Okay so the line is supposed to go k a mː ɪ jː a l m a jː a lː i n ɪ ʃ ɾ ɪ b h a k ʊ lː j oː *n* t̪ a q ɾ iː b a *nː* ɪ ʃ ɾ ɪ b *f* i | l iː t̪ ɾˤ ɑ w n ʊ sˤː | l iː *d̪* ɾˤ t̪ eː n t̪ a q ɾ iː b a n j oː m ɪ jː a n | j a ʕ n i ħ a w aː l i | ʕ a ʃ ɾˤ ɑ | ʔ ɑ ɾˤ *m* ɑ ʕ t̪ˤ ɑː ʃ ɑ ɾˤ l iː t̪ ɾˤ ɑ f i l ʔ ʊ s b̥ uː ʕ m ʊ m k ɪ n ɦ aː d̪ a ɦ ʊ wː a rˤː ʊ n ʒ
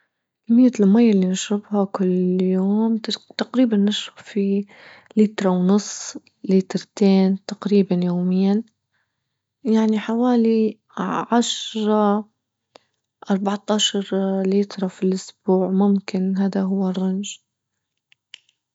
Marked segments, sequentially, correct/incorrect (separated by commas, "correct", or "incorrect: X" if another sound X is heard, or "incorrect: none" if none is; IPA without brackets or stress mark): incorrect: m, correct, correct, incorrect: t̪, incorrect: b